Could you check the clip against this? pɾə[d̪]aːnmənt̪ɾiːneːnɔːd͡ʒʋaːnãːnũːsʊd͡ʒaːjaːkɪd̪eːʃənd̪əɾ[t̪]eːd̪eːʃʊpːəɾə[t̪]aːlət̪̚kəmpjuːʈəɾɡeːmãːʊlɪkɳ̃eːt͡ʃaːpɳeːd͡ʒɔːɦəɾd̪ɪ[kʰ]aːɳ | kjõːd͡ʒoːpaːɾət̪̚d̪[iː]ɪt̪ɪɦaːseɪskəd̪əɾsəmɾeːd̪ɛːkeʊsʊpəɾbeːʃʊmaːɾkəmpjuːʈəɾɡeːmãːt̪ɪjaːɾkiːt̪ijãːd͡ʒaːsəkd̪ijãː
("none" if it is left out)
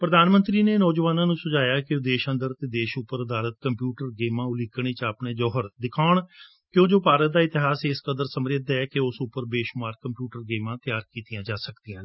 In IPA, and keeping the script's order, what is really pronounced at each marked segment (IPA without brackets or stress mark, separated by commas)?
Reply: d̪, t̪, d̪, kʰ, aː